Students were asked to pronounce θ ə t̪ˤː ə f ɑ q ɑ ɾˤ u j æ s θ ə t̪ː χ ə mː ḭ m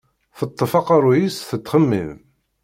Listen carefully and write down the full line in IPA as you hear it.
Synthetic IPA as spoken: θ ə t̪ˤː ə f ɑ q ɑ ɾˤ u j i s θ ə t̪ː χ ə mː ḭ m